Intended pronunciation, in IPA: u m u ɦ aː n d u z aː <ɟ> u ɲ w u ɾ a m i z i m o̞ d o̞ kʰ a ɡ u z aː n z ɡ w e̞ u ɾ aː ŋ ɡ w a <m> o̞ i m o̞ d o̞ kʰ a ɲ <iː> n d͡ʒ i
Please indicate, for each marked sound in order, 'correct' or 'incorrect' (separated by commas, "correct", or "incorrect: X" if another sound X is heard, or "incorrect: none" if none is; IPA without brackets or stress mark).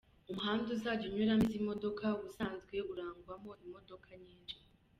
correct, correct, correct